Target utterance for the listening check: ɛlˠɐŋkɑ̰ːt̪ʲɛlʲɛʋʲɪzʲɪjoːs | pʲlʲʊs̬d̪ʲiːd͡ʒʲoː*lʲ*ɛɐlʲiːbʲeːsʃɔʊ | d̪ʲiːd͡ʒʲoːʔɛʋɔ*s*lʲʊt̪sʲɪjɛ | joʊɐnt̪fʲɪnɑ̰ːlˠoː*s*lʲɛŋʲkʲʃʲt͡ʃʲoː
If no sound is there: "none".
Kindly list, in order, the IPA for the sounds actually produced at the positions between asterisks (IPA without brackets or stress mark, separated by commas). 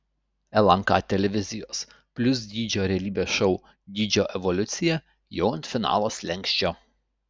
ɾʲ, none, s